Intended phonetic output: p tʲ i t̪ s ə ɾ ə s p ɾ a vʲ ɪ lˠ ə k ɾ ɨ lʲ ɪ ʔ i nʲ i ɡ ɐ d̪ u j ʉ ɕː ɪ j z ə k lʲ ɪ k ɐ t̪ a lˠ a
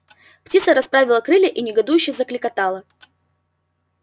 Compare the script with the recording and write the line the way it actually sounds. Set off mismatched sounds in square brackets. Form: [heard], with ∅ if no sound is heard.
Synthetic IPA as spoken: p tʲ i t̪ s ə ɾ [ɐ] s p ɾ a vʲ ɪ lˠ ə k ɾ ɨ lʲ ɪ ʔ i nʲ [ɪ] ɡ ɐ d̪ u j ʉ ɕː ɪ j z ə k lʲ ɪ k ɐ t̪ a lˠ [ə]